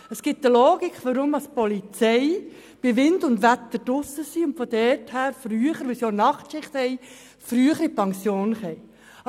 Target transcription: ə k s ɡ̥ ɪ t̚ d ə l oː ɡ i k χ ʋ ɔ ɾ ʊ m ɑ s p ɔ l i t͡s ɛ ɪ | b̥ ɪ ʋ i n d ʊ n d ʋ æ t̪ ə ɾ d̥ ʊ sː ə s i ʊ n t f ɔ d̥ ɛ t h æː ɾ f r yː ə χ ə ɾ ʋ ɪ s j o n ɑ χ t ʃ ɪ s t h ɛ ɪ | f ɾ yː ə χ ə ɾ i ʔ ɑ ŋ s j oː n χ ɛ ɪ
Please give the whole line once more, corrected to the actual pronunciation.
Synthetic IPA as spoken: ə s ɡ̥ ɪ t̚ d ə l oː ɡ i k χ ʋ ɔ ɾ ʊ m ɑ s p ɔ l i t͡s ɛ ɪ | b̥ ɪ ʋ ɪ n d ʊ n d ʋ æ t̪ ə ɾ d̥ ʊ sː ə s i ʊ n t f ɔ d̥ ɛ t h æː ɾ f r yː ə χ ə ɾ ʋ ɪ s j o n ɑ χ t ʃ ɪ χ t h ɛ ɪ | f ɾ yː ə χ ə ɾ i p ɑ ŋ s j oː n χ ɛ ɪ